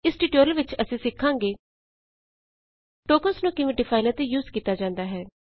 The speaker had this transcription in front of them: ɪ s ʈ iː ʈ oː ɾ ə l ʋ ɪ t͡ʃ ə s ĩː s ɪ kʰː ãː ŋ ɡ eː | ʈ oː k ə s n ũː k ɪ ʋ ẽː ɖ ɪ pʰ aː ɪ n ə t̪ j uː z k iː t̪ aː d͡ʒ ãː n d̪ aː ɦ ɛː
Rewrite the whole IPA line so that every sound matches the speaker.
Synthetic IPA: ɪ s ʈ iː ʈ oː ɾ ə l ʋ ɪ t͡ʃ ə s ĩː s ɪ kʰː ãː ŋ ɡ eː | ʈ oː k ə s n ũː k ɪ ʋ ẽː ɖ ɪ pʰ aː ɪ n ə t̪ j uː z k iː t̪ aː d͡ʒ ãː n d̪ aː ɦ ɛː